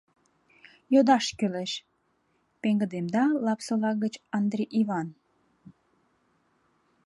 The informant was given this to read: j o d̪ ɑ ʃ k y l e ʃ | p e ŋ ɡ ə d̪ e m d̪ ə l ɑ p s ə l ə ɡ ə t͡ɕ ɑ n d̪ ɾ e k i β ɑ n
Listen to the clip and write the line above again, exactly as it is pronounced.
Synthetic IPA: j o d̪ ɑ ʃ k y l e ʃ | p e ŋ ɡ ə d̪ e m d̪ ɑ l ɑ p s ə l ɑ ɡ ə t͡ɕ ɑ n d̪ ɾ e ʔ i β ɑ n